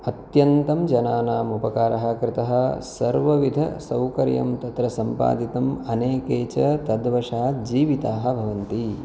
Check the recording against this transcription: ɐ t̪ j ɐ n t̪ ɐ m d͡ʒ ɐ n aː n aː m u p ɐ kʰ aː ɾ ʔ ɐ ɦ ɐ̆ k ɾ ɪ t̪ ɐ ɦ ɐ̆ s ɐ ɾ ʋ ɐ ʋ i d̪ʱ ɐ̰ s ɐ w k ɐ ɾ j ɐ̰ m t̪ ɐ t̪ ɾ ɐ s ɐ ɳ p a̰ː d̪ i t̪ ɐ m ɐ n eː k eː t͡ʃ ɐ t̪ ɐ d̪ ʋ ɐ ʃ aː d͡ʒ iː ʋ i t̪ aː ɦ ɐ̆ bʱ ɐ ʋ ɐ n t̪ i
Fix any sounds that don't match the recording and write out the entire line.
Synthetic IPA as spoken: ɐ t̪ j ɐ n t̪ ɐ m d͡ʒ ɐ n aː n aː m u p ɐ k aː ɾ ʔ ɐ ɦ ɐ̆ k ɾ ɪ t̪ ɐ ɦ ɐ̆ s ɐ ɾ ʋ ɐ ʋ i d̪ʱ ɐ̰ s ɐ w k ɐ ɾ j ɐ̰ m t̪ ɐ t̪ ɾ ɐ s ɐ m p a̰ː d̪ i t̪ ɐ m ɐ n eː k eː t͡ʃ ɐ t̪ ɐ d̪ ʋ ɐ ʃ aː d͡ʒ iː ʋ i t̪ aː ɦ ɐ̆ bʱ ɐ ʋ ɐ n t̪ i